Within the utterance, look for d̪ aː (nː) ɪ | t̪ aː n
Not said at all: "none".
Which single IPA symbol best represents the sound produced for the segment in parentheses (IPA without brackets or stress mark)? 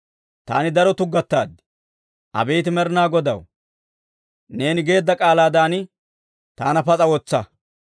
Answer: n